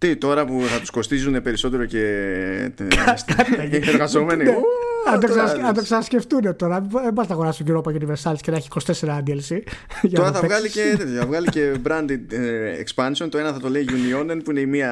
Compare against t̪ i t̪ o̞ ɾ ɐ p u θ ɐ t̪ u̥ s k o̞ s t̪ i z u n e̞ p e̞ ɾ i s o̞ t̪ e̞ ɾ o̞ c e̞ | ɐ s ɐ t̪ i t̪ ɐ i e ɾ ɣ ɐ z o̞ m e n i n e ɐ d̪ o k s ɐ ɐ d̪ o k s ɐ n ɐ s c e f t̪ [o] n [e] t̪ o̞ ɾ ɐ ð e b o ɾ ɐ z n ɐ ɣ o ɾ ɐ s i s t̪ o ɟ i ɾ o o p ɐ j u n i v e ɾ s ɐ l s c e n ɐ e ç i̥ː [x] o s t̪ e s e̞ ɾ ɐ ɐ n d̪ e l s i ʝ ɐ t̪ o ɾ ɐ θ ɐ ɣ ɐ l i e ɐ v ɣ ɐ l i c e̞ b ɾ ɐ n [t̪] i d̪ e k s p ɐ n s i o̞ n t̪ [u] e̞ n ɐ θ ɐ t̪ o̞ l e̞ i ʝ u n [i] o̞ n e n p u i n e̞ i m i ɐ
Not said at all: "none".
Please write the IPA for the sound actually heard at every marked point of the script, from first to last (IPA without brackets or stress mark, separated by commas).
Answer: u, e, k, d̪, o, i